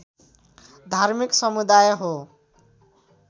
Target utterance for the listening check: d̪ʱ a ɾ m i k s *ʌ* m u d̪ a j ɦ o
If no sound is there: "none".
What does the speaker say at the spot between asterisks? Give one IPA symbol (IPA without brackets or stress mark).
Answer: ʌ